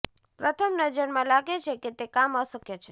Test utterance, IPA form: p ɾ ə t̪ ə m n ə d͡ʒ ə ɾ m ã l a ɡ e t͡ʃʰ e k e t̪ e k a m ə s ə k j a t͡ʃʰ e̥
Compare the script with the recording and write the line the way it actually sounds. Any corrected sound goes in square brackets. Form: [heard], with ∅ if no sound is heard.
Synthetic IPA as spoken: p ɾ ə [t̪ʰ] ə m n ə d͡ʒ ə ɾ m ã l a ɡ e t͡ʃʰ e k e t̪ e k a m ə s ə k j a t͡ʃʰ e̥